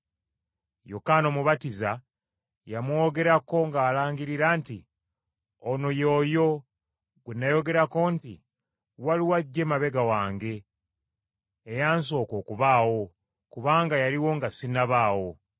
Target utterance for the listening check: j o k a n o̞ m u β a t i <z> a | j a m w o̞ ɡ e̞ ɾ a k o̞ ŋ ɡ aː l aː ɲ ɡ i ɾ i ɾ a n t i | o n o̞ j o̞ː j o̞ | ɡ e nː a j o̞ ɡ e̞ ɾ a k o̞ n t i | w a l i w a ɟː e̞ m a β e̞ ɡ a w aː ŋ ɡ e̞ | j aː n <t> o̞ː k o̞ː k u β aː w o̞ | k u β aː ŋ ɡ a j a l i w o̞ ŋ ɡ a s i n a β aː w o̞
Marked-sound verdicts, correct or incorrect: correct, incorrect: s

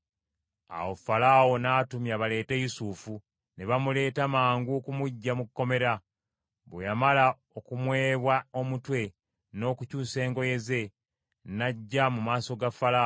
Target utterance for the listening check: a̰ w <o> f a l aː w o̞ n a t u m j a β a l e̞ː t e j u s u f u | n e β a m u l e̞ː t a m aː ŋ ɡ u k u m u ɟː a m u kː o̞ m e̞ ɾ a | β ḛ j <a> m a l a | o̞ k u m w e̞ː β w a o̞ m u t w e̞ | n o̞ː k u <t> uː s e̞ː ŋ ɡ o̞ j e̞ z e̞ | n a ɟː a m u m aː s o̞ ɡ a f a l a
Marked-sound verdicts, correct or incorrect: correct, correct, incorrect: c

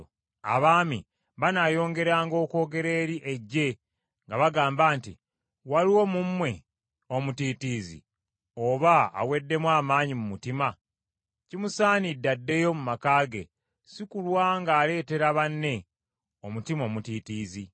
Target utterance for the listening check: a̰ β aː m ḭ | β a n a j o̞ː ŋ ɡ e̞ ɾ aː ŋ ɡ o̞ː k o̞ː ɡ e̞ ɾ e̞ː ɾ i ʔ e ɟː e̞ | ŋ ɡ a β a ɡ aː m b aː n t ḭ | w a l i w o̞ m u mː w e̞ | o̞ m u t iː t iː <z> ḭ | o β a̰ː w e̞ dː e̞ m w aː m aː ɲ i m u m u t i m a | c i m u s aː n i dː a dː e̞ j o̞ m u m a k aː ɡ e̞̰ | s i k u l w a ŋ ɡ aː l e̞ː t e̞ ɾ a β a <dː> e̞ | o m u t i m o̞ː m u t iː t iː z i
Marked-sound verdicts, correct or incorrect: correct, incorrect: nː

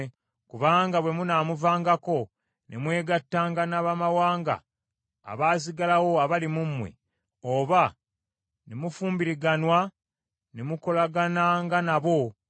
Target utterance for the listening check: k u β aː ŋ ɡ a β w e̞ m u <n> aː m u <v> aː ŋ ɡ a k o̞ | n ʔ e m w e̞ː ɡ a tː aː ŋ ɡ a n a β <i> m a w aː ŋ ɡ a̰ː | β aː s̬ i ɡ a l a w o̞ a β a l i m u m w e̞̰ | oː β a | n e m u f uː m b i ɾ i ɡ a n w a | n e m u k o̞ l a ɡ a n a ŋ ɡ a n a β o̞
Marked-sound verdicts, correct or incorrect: correct, correct, incorrect: a

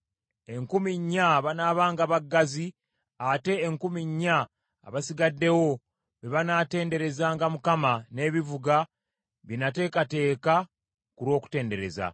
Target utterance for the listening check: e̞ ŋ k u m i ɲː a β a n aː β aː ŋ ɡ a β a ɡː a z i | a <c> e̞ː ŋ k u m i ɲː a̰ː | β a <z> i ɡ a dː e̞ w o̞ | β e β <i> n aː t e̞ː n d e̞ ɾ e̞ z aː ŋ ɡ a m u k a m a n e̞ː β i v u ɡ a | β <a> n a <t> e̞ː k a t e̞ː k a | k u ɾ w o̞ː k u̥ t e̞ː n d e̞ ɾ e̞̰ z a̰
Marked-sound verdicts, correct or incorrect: incorrect: t, incorrect: s, incorrect: a, incorrect: i, correct

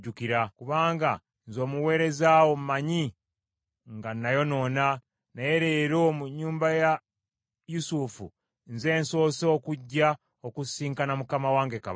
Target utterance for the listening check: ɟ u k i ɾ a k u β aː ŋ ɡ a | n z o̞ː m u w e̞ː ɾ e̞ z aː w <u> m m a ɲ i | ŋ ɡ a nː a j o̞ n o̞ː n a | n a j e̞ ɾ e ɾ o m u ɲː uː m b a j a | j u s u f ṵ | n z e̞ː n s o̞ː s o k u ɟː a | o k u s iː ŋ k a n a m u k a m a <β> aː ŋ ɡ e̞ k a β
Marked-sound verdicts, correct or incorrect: incorrect: o, incorrect: w

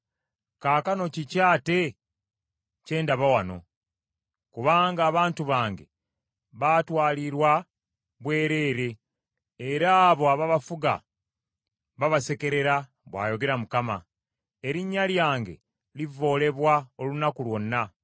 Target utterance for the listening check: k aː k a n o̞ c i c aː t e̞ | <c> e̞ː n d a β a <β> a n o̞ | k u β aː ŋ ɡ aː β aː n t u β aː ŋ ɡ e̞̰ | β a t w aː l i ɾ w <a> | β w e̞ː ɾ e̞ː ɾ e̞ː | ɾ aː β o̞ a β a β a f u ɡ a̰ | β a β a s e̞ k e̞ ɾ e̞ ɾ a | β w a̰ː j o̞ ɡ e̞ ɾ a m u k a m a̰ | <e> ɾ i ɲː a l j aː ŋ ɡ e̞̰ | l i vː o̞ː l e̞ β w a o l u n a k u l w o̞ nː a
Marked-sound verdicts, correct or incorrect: correct, incorrect: w, correct, correct

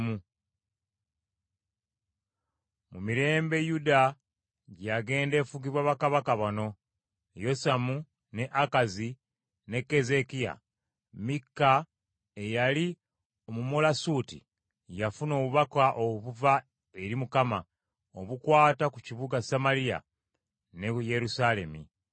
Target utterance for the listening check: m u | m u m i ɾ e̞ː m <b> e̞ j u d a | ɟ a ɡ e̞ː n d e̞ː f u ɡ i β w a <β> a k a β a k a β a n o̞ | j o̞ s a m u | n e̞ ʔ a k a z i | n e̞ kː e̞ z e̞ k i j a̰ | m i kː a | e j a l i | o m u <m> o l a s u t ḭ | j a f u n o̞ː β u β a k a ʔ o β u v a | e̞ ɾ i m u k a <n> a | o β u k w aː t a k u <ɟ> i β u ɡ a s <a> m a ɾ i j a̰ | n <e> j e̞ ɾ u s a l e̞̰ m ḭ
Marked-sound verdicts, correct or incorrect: correct, correct, correct, incorrect: m, incorrect: c, correct, correct

